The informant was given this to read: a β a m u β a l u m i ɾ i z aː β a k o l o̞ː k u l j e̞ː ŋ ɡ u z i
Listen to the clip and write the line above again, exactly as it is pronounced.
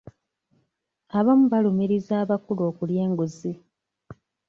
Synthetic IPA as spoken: a β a m u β a l u m i ɾ i z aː β a k u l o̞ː k u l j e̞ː ŋ ɡ u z i